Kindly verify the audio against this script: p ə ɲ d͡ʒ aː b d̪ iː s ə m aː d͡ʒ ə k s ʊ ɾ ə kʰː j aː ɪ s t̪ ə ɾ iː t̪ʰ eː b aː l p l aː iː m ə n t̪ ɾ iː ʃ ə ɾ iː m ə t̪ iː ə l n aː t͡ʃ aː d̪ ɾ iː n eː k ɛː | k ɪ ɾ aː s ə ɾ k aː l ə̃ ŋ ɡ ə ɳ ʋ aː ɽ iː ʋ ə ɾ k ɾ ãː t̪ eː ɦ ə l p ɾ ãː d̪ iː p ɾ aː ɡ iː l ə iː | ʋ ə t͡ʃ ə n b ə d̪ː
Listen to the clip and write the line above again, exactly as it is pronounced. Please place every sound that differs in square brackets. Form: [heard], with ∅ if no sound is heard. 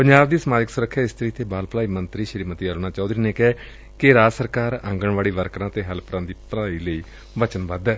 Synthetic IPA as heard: p ə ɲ d͡ʒ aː b d̪ iː s ə m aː d͡ʒ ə k s ʊ ɾ ə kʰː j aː ɪ s t̪ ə ɾ iː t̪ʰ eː b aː l p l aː iː m ə n t̪ ɾ iː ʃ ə ɾ iː m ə t̪ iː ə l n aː t͡ʃ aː d̪ ɾ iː n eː k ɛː | k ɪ ɾ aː s ə ɾ k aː [ɾ] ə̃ ŋ ɡ ə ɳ ʋ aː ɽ iː ʋ ə ɾ k ɾ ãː t̪ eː ɦ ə l p ɾ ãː d̪ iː p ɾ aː [∅] iː l ə iː | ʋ ə t͡ʃ ə n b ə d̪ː